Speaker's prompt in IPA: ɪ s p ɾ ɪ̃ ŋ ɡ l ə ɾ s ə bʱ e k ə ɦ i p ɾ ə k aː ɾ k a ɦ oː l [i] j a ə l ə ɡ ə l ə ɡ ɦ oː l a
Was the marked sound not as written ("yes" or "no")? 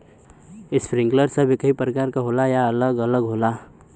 yes